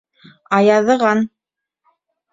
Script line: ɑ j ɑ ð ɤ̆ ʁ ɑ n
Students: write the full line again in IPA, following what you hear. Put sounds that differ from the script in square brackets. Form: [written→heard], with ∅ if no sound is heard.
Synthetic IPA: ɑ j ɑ ð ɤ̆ ʁ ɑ n